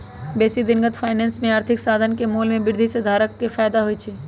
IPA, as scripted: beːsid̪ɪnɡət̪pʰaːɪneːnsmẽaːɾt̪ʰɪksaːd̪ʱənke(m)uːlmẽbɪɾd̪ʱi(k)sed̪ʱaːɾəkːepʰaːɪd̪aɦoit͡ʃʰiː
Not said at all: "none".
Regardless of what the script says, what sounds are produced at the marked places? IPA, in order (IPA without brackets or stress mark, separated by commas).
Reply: m, none